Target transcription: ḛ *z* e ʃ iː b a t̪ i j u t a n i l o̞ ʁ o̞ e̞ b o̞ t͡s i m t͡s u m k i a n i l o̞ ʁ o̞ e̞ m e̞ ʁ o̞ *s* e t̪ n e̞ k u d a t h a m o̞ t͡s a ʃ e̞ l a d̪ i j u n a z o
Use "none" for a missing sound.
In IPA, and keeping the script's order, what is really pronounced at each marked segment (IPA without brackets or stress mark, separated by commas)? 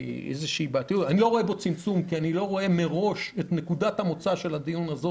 z, ʃ